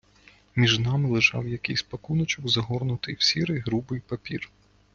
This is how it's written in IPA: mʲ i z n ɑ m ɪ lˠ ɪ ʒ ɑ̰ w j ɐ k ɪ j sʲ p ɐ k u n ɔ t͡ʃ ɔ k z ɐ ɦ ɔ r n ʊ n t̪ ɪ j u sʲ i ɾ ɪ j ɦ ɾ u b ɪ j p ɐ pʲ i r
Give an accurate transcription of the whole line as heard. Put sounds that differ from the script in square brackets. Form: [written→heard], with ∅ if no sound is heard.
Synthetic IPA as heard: mʲ i [z→ʒ] n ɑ m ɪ lˠ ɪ ʒ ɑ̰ w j ɐ k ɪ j sʲ p ɐ k u n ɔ t͡ʃ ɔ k z ɐ ɦ ɔ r n ʊ [n→∅] t̪ ɪ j [u→w] sʲ i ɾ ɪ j ɦ ɾ u b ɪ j p ɐ pʲ i r